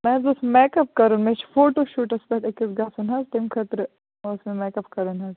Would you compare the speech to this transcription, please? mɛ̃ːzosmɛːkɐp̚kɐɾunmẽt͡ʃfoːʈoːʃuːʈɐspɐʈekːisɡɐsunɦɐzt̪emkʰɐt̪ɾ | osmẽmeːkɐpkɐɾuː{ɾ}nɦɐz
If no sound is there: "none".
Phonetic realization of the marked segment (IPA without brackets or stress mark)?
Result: none